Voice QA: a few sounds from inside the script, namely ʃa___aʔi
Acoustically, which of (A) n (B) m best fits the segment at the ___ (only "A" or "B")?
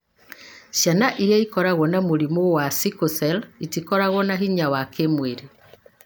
A